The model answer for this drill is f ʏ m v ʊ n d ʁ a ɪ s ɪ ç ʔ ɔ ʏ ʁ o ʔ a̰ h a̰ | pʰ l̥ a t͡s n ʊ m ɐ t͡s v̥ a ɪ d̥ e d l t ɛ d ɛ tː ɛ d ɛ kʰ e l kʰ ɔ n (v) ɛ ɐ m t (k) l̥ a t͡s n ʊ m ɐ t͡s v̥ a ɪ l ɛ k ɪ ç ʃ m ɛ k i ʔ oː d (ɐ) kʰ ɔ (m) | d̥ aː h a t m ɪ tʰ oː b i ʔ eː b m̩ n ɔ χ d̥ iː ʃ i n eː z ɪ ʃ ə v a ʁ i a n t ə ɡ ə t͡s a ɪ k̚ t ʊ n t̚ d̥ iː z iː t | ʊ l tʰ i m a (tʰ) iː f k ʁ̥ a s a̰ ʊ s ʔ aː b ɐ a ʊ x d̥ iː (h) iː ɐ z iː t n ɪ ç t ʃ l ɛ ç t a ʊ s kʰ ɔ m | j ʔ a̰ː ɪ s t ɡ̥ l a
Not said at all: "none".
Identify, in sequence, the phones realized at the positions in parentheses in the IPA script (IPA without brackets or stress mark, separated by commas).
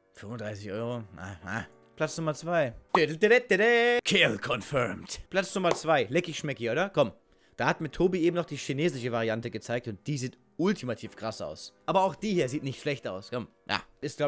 f, p, ɐ, m, tʰ, h